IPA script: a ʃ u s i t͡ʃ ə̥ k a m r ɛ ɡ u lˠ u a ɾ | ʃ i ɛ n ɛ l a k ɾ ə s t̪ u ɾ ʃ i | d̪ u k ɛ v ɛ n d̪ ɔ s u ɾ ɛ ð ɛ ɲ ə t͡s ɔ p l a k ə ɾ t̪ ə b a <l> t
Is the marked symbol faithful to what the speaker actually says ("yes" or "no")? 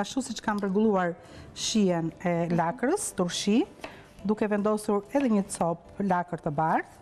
no